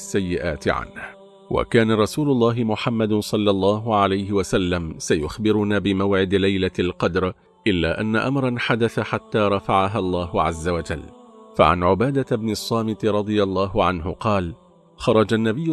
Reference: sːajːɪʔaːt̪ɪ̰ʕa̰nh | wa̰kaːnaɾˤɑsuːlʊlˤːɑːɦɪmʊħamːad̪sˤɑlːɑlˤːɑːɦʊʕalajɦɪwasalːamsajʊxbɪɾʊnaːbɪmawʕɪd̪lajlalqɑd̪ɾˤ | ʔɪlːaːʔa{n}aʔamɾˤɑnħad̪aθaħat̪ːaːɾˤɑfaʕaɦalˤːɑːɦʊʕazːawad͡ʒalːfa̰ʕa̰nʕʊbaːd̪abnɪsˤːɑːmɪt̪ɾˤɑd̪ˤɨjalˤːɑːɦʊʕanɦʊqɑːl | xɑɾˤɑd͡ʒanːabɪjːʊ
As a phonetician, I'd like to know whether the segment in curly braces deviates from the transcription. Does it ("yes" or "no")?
yes